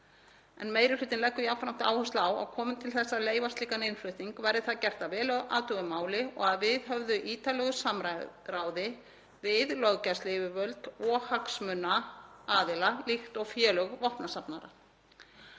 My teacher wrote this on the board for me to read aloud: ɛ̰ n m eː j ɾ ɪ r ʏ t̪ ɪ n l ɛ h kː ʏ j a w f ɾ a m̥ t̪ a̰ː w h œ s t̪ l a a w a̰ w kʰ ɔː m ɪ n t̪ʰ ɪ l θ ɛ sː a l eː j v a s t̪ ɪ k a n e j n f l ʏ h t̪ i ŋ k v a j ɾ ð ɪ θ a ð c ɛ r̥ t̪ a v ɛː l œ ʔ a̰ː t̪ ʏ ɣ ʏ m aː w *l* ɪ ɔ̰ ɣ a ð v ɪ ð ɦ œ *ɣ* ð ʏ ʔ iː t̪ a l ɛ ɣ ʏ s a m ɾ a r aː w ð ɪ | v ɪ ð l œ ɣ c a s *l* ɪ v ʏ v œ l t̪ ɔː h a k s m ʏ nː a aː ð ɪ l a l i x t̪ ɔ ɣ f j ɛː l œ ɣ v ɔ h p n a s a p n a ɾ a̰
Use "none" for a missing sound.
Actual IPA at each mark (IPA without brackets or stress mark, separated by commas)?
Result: l, v, l